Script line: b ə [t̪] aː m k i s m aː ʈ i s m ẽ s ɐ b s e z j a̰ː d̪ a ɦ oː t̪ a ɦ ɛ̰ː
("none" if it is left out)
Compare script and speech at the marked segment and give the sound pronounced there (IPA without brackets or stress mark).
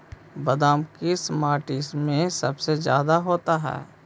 d̪